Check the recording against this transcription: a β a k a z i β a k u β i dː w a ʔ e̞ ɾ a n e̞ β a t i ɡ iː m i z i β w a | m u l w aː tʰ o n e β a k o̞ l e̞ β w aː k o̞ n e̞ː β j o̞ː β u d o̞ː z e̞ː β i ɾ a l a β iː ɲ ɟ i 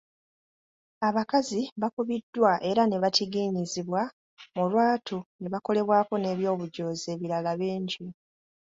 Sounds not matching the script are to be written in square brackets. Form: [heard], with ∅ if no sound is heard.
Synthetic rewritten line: a β a k a z i β a k u β i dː w a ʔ e̞ ɾ a n e̞ β a t i ɡ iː [ɲ] i z i β w a | m u l w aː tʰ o n e β a k o̞ l e̞ β w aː k o̞ n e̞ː β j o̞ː β u [ɟ] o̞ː z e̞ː β i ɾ a l a β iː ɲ ɟ i